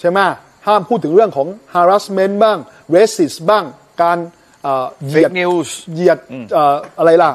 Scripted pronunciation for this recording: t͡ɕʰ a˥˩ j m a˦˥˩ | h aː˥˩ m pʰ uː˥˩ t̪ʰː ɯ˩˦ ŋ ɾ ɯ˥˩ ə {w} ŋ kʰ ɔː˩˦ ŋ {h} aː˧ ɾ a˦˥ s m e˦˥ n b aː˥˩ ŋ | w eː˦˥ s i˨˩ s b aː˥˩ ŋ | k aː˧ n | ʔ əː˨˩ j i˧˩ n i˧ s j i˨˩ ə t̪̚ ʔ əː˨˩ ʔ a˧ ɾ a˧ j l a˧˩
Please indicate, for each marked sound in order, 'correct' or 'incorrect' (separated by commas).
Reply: incorrect, correct